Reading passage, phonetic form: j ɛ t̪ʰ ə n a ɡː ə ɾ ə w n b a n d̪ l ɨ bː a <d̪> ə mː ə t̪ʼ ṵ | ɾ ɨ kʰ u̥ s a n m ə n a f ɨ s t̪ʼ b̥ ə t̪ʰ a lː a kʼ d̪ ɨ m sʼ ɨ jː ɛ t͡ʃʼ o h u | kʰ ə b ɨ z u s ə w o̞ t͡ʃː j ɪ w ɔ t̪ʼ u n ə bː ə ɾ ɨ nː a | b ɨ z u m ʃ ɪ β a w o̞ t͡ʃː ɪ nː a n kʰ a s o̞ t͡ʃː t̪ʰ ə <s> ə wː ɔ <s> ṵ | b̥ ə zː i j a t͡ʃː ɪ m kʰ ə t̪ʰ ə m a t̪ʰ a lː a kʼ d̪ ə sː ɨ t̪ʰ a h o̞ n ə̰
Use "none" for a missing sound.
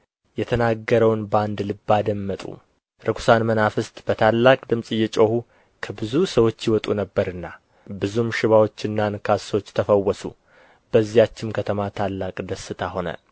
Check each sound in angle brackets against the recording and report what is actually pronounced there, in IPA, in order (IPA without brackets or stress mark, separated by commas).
d̪, f, s